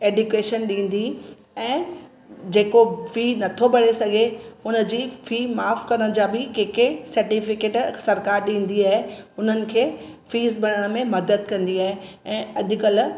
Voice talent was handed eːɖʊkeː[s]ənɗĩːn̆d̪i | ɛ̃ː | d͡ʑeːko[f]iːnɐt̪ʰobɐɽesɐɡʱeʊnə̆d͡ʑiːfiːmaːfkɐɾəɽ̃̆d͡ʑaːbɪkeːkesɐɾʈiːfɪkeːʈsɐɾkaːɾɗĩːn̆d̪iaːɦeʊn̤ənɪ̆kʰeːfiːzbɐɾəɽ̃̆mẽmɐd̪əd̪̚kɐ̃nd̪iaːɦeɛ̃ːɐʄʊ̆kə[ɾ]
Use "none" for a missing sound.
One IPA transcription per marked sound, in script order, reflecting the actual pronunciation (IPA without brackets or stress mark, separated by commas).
ʃ, f, l